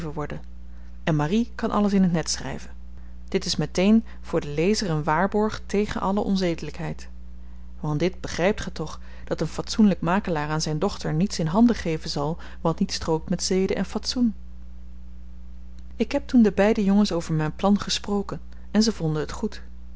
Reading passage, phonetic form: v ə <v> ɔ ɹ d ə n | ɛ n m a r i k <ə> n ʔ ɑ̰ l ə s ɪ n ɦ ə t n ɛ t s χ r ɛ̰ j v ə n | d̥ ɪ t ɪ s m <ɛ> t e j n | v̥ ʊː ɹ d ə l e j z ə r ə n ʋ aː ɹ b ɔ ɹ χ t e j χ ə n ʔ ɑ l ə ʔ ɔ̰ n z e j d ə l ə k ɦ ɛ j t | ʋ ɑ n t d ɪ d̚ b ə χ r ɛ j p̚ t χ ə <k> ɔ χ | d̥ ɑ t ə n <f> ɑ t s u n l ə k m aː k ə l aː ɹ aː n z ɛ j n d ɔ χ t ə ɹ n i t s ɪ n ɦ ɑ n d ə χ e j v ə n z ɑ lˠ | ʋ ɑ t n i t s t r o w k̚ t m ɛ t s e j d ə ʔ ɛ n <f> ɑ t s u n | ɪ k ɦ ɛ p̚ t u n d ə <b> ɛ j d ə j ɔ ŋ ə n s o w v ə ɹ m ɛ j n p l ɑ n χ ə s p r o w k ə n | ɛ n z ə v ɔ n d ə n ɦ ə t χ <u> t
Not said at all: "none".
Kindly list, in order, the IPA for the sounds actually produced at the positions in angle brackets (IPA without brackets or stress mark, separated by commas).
ʋ, ɑ, ɛ, t, f, f, b, u